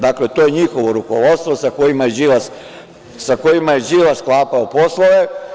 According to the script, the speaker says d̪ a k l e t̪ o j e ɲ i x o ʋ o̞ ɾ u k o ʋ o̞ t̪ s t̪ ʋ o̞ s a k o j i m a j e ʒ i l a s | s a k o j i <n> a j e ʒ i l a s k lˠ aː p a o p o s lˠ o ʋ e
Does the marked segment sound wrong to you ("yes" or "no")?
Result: yes